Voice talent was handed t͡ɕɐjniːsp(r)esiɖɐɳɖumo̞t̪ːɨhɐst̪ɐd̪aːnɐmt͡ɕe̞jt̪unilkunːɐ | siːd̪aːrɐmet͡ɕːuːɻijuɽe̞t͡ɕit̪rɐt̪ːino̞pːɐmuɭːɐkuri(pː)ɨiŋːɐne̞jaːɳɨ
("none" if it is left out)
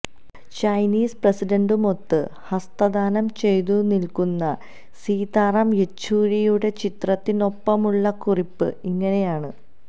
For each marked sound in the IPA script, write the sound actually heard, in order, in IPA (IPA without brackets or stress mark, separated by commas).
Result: r, pː